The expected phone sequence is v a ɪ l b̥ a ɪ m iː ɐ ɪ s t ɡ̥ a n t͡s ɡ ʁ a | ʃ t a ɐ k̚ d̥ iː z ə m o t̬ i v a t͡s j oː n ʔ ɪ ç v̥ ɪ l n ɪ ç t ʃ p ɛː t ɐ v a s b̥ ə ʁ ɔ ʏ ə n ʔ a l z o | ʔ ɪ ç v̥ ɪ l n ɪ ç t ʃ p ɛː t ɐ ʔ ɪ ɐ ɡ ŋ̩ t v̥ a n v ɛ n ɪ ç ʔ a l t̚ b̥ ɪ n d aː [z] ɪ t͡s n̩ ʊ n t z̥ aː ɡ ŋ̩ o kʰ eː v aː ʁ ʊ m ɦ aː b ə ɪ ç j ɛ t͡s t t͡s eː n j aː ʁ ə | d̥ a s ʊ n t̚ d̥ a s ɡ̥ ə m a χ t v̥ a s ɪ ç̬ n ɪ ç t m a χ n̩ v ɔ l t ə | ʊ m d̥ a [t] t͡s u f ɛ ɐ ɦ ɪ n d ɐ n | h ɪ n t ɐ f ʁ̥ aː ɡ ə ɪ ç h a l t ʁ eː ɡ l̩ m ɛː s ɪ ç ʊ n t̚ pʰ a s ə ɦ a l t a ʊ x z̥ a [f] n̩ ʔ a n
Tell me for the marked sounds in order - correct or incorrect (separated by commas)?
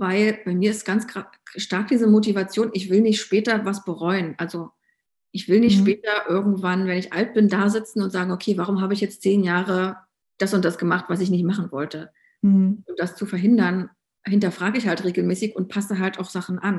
correct, incorrect, incorrect